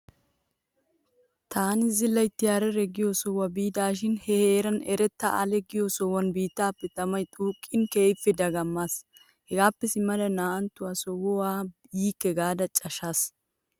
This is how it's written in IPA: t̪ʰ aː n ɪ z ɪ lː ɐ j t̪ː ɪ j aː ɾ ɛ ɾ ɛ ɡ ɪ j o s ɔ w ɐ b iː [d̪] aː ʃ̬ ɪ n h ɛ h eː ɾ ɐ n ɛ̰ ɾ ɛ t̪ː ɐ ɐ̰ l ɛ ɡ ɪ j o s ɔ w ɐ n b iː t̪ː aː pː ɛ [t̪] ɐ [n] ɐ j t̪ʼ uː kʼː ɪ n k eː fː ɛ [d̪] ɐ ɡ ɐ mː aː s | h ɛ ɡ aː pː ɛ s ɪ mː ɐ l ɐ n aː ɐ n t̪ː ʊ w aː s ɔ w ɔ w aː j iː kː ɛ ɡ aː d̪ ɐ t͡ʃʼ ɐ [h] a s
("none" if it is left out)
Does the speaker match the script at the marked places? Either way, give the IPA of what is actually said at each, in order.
d̪, t̪, m, d̪, ʃ

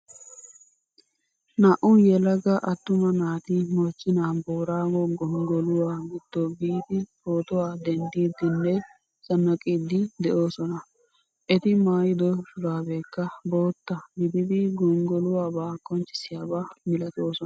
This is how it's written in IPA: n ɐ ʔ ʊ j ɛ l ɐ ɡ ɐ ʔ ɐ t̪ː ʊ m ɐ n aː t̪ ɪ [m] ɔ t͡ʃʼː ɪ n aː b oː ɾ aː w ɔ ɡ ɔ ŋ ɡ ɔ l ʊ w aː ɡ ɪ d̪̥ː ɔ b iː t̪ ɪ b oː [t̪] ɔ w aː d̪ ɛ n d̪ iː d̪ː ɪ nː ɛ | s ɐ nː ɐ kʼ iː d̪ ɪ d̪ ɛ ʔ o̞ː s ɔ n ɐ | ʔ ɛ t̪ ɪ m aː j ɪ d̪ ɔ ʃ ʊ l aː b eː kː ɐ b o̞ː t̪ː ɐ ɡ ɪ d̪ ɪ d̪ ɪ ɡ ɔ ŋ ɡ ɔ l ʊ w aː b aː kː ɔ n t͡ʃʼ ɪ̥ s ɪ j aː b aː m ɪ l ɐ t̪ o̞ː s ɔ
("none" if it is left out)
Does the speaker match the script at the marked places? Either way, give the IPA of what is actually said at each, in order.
m, t̪

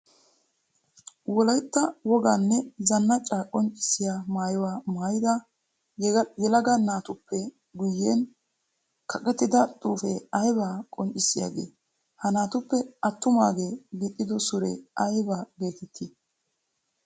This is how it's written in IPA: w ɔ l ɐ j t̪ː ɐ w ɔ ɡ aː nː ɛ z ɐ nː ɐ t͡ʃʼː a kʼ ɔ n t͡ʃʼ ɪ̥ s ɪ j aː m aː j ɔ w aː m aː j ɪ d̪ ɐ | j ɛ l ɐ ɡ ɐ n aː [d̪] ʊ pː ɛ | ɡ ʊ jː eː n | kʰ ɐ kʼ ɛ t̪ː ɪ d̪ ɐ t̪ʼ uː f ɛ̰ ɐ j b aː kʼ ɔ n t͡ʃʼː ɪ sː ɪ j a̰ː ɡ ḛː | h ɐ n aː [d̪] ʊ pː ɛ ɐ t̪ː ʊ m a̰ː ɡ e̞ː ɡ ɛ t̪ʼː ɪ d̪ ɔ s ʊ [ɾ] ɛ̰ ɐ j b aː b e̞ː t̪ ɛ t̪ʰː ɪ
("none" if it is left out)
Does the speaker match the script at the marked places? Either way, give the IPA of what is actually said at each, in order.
t̪, t̪, ɾ

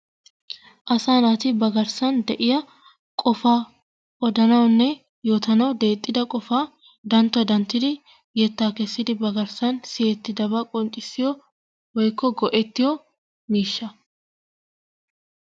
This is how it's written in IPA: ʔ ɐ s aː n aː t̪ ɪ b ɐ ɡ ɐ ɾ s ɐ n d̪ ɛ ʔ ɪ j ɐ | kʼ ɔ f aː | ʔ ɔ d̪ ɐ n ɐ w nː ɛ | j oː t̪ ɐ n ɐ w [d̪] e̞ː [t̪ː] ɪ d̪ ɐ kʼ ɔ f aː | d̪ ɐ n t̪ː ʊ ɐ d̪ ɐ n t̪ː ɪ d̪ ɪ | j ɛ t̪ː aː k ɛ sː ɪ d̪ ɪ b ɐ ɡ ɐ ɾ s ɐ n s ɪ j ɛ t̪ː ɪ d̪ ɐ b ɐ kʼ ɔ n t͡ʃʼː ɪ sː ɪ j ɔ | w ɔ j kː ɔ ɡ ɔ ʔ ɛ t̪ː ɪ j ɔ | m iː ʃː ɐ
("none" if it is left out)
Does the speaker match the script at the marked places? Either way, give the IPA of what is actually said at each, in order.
d̪, t̪ʼː

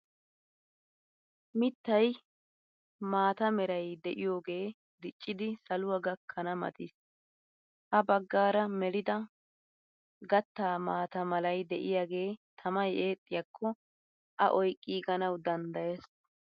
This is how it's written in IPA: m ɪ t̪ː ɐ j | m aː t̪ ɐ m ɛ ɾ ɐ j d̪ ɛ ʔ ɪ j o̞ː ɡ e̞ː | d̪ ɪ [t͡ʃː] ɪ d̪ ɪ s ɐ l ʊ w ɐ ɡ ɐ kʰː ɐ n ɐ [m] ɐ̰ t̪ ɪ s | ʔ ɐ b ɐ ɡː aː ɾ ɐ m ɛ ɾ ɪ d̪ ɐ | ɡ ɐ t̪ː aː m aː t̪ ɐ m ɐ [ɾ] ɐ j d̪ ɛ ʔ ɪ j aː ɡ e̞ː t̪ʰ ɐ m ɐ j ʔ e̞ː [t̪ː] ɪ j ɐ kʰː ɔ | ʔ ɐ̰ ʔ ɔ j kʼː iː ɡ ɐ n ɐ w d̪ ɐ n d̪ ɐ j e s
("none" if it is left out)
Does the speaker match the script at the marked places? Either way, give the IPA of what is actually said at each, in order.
t͡ʃʼː, m, l, t̪ʼː

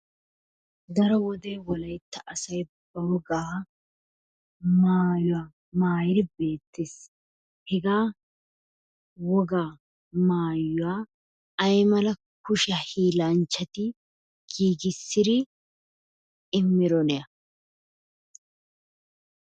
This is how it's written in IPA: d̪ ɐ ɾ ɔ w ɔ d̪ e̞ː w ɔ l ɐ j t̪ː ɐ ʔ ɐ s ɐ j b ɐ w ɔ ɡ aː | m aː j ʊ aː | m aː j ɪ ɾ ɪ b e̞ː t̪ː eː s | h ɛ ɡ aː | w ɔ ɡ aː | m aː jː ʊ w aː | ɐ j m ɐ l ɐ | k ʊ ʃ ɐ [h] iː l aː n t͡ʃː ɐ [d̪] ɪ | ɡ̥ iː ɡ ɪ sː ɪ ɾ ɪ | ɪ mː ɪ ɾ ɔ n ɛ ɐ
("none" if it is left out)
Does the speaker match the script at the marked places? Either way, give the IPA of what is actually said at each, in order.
h, t̪

